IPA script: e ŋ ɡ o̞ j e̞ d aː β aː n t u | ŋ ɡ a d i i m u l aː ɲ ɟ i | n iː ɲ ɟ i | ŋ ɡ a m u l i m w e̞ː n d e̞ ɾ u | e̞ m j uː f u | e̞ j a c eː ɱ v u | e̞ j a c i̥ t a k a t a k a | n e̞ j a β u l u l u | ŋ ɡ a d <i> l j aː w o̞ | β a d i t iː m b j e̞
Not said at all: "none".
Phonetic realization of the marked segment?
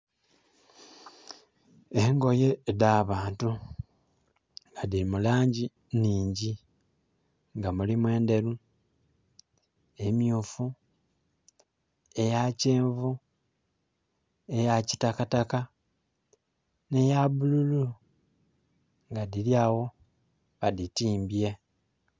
i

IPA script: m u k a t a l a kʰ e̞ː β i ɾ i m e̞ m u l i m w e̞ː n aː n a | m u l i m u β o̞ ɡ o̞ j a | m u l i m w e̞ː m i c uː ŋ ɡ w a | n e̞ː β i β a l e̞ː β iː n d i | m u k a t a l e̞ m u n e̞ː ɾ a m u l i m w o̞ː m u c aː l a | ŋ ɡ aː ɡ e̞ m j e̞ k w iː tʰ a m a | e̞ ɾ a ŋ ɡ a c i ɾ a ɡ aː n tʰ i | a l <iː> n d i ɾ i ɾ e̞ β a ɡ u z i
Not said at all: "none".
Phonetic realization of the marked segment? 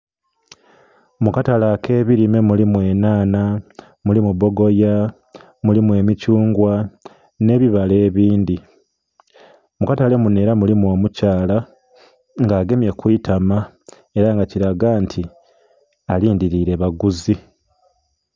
iː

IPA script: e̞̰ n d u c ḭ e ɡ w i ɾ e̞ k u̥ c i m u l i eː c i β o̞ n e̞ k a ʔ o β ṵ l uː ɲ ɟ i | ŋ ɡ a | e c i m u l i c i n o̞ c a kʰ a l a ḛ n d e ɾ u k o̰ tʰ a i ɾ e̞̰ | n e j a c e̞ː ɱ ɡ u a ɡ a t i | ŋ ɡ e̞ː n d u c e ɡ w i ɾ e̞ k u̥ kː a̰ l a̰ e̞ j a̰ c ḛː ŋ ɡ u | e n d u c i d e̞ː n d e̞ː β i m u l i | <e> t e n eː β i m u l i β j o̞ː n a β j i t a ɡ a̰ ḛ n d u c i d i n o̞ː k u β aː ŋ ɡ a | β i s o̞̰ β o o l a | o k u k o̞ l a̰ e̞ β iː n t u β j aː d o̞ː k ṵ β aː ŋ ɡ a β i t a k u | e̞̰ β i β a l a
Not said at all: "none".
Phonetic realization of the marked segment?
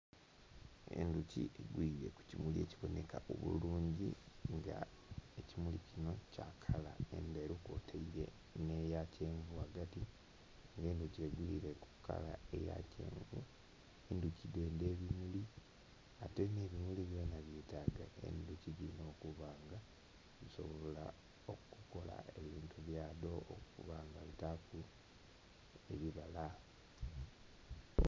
a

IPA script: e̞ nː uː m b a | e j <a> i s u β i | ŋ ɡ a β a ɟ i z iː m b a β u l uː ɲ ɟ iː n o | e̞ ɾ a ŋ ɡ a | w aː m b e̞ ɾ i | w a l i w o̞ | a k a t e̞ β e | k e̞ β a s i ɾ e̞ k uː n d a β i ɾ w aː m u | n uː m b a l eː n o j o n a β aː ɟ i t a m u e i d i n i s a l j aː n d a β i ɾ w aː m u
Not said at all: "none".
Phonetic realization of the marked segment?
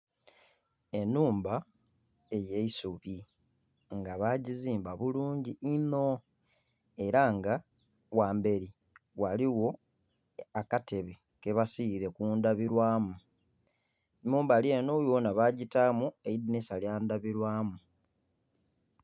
e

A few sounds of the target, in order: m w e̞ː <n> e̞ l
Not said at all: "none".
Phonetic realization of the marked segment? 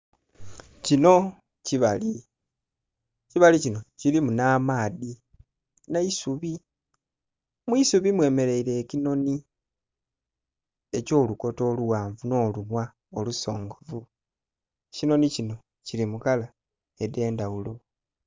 m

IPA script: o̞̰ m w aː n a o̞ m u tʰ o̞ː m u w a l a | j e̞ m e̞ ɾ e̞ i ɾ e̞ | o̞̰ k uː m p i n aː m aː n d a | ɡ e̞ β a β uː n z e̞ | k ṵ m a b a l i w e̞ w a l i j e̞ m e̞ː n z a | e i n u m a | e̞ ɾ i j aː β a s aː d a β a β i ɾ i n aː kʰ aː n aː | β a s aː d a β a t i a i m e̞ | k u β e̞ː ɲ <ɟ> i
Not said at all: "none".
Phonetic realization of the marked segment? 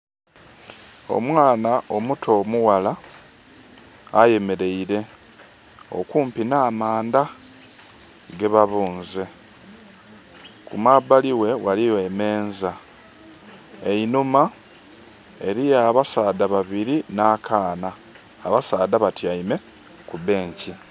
c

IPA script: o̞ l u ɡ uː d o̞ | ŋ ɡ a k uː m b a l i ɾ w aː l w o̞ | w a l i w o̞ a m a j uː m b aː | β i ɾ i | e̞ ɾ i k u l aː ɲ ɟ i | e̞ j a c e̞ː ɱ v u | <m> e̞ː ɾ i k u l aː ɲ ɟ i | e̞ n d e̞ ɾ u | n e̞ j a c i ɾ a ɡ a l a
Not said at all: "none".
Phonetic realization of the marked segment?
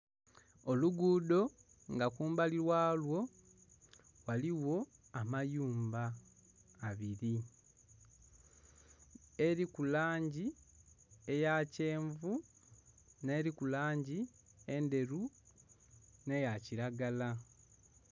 n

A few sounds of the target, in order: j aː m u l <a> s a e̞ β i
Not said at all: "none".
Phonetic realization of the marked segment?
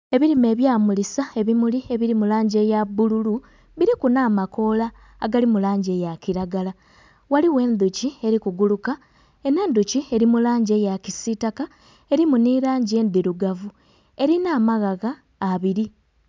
i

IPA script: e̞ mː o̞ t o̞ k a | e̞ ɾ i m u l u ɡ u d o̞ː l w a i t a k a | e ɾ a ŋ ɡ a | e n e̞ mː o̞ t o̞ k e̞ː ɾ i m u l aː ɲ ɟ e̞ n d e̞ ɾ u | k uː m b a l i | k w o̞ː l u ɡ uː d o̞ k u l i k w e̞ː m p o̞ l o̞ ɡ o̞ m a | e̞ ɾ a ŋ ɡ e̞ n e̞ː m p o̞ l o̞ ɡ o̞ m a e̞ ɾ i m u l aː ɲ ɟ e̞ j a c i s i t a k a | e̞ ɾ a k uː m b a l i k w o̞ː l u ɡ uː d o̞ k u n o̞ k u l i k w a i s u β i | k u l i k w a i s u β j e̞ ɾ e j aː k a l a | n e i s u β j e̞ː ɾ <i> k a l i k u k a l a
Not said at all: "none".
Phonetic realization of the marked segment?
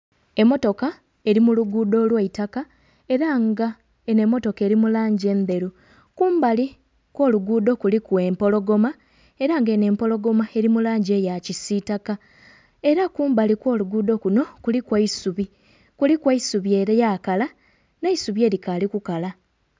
i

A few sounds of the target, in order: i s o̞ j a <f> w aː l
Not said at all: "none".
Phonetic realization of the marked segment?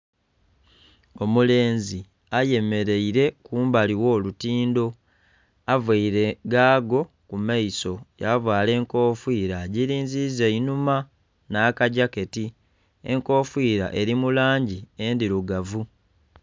v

